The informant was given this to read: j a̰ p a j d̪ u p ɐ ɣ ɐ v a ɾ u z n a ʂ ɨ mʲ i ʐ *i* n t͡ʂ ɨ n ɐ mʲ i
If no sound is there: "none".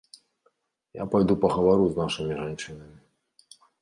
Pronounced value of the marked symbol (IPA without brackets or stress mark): a